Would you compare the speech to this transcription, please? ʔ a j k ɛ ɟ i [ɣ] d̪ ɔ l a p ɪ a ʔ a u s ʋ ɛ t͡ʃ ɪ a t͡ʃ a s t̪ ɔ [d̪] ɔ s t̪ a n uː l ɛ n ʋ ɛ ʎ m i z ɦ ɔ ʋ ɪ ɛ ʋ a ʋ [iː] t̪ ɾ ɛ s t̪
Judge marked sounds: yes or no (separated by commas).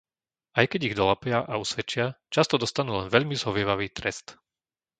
yes, yes, yes